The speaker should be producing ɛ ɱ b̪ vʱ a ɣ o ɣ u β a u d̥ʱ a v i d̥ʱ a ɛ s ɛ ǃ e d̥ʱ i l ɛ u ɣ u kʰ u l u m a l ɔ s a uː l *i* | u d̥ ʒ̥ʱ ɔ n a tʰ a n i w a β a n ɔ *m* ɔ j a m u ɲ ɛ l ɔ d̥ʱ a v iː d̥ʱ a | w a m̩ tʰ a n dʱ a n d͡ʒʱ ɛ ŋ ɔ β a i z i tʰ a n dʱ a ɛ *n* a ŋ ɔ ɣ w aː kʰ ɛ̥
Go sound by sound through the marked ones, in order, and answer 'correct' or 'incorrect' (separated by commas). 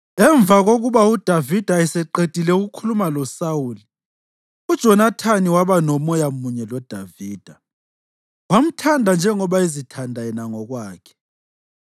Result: correct, correct, correct